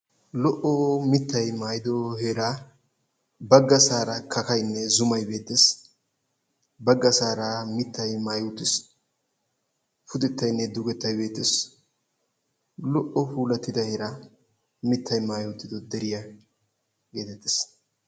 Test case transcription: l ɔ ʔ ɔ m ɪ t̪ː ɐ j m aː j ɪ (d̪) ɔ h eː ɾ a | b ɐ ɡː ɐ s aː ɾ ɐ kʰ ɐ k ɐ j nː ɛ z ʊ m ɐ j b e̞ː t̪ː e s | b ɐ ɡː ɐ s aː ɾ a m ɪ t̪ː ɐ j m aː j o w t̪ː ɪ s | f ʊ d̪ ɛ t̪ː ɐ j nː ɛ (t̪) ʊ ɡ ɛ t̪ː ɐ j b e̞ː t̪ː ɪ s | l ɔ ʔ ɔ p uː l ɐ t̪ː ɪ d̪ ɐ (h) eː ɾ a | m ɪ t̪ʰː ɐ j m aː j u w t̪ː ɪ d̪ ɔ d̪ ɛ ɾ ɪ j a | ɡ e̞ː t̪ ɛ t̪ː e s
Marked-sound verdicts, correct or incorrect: correct, incorrect: d̪, correct

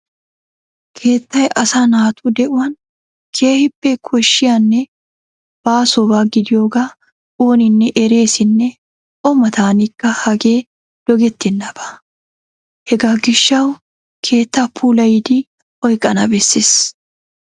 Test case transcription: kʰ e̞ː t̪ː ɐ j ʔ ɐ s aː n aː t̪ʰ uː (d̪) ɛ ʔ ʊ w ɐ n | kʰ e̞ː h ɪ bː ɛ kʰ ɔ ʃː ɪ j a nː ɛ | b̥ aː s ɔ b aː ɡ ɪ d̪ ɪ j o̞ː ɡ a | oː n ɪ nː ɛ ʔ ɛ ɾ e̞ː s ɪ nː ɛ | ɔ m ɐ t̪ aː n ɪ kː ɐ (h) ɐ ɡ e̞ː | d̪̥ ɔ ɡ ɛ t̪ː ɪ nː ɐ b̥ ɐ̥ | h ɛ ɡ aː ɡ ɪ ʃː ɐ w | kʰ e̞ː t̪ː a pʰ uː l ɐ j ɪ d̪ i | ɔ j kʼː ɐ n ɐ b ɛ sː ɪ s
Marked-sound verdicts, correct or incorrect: correct, correct

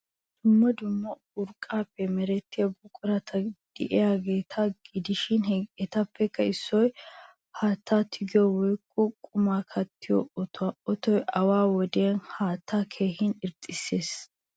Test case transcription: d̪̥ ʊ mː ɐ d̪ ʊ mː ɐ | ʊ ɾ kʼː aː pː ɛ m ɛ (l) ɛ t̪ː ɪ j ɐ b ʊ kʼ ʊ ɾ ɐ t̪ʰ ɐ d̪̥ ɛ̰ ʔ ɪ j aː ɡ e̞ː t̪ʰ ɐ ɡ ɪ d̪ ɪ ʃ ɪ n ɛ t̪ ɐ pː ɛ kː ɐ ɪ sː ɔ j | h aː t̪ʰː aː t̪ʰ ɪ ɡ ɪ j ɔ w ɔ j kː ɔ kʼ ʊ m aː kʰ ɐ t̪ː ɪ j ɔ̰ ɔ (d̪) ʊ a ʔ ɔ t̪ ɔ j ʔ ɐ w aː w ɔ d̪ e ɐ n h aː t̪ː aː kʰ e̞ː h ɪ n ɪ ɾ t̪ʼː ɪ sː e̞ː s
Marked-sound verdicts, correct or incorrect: incorrect: ɾ, incorrect: t̪

